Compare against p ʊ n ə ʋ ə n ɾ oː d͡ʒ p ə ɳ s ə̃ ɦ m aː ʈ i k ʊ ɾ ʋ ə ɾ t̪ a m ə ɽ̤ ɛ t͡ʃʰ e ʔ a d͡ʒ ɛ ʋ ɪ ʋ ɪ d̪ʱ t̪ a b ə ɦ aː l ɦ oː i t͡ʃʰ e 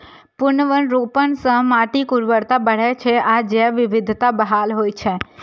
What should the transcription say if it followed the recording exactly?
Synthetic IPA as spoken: p ʊ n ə ʋ ə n ɾ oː p ə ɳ s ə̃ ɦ m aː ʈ i k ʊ ɾ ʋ ə ɾ t̪ a b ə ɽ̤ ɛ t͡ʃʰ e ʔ a d͡ʒ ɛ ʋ ɪ ʋ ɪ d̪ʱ t̪ a b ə ɦ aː l ɦ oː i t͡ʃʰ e